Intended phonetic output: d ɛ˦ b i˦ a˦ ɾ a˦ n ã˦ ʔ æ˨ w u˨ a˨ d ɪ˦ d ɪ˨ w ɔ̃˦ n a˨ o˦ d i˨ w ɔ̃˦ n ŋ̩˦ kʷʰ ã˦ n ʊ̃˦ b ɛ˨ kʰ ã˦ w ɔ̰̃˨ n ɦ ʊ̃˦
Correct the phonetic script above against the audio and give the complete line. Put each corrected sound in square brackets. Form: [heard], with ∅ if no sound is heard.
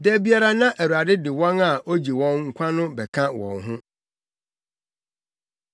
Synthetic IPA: d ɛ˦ b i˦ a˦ ɾ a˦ n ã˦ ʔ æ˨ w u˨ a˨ d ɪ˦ d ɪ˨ w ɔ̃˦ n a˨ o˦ [d͡ʑ] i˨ w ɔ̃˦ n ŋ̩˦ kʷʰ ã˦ n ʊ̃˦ b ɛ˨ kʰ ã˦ w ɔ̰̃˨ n ɦ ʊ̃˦